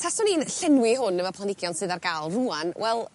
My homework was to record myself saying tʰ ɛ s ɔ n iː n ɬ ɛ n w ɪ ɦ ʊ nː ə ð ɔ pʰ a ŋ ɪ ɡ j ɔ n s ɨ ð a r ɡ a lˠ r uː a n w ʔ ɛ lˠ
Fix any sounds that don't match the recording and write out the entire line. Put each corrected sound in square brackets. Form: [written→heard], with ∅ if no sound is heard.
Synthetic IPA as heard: tʰ [ɛ→a] s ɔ n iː n ɬ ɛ n w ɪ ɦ ʊ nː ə [ð→v] ɔ pʰ a [ŋ→n] ɪ ɡ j ɔ n s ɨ ð a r ɡ a lˠ r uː a n w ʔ ɛ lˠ